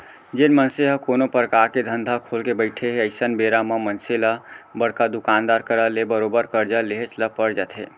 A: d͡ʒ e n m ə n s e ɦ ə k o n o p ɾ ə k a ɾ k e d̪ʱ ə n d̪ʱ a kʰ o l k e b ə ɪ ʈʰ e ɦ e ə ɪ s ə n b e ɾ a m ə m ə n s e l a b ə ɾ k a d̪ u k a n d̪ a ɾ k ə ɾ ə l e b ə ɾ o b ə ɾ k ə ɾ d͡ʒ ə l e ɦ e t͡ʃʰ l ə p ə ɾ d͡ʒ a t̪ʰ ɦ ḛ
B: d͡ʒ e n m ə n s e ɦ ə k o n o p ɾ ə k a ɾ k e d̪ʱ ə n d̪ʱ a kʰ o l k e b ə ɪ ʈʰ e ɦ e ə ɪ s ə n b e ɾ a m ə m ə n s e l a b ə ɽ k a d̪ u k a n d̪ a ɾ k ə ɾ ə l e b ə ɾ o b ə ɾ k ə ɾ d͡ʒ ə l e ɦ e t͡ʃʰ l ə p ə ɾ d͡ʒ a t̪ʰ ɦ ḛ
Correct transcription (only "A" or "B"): B